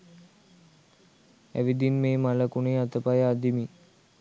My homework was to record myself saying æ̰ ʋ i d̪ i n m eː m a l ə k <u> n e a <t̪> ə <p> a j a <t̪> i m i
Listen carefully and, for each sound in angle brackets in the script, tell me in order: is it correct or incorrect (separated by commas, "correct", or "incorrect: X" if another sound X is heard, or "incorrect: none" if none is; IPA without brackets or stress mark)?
correct, correct, correct, incorrect: d̪